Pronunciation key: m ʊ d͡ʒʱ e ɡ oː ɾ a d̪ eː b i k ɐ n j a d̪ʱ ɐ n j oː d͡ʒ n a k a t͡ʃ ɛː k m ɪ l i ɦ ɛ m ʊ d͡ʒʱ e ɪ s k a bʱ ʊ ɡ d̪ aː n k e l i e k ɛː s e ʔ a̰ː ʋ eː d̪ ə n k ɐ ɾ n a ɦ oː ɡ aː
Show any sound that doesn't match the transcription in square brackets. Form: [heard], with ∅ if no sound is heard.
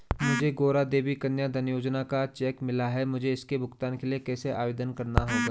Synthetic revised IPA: m ʊ d͡ʒʱ e ɡ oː ɾ a d̪ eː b i k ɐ n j a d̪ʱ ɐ n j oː d͡ʒ n a k a t͡ʃ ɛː k m ɪ l [a] ɦ ɛ m ʊ d͡ʒʱ e ɪ s k [e] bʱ ʊ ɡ [t̪] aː n k e l i e k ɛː s e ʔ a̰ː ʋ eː d̪ ə n k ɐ ɾ n a ɦ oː ɡ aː